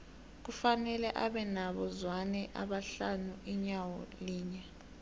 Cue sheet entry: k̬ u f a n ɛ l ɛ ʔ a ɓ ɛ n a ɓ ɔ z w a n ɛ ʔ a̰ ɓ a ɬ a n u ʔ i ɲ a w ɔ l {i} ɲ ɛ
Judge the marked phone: incorrect: iː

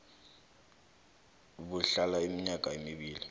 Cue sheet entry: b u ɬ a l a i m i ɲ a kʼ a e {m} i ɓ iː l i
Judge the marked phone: correct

